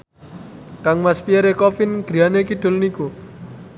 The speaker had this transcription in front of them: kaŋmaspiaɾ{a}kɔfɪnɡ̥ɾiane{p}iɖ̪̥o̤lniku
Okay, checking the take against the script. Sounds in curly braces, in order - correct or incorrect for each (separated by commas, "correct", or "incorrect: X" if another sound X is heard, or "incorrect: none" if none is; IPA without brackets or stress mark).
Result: incorrect: e, incorrect: k